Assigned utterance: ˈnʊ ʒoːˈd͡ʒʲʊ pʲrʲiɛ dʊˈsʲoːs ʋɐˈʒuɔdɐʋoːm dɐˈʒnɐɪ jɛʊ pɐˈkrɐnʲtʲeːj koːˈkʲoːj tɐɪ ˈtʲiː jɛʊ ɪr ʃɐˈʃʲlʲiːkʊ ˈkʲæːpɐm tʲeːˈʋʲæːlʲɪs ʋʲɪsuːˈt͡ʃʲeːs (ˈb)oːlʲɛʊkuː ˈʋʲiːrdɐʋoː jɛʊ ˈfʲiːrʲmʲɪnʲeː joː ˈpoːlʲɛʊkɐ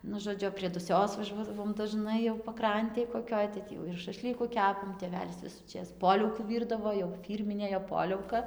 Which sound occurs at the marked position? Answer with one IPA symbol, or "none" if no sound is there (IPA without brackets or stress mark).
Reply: p